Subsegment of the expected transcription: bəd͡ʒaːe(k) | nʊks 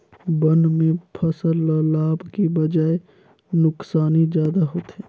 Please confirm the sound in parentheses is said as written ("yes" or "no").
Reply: no